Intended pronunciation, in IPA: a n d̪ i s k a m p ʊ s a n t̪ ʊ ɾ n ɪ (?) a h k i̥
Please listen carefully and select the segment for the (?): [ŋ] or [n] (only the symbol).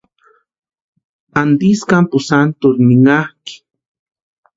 ŋ